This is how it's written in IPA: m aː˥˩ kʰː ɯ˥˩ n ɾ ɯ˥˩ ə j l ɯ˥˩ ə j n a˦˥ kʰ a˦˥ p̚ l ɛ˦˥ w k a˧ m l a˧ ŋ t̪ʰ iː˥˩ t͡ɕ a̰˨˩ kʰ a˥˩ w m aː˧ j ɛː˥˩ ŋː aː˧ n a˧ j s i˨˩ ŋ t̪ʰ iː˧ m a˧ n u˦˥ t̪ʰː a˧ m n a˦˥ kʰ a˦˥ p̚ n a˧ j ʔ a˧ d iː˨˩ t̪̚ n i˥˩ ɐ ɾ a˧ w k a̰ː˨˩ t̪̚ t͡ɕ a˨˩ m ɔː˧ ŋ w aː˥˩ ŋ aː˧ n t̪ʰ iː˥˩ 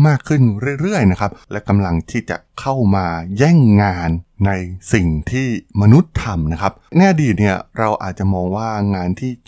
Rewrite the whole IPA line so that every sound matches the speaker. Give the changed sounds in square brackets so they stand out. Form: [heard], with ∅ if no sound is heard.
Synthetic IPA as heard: m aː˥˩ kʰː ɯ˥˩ n ɾ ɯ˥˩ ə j [ɾ] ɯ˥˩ ə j n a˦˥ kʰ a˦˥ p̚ l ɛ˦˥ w k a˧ m l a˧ ŋ t̪ʰ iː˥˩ t͡ɕ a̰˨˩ kʰ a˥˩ w m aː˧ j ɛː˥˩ ŋː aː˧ [nː] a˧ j s i˨˩ ŋ t̪ʰ [iː˥˩] m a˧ n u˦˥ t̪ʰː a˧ m n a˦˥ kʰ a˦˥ p̚ n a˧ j ʔ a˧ d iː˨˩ t̪̚ n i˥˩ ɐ ɾ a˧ w [ʔ] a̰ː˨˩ t̪̚ t͡ɕ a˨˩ m ɔː˧ ŋ w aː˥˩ ŋ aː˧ n t̪ʰ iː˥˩